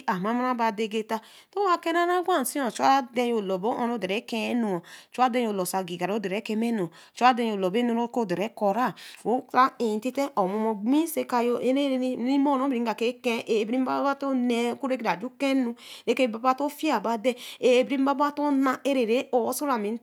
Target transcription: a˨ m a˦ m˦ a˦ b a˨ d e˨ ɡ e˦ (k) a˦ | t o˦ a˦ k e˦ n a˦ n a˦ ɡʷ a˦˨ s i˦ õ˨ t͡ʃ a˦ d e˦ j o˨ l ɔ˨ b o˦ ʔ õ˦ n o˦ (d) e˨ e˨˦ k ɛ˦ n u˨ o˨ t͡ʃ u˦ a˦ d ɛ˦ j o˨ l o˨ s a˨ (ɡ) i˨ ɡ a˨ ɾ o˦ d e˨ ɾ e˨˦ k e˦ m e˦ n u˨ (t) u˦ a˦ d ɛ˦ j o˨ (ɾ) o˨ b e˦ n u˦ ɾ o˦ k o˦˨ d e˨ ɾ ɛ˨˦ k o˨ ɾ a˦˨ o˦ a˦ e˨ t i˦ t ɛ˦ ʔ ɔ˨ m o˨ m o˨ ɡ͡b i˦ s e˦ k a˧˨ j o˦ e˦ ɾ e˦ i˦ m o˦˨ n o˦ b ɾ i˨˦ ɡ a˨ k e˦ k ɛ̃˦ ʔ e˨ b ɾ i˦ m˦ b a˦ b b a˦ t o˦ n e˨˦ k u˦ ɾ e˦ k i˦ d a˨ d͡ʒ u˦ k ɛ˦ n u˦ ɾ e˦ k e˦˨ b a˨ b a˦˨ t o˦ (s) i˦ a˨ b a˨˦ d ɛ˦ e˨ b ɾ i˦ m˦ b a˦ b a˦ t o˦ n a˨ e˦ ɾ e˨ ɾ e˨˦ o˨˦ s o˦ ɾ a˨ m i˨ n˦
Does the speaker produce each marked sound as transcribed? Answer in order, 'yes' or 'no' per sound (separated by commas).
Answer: no, yes, yes, no, no, no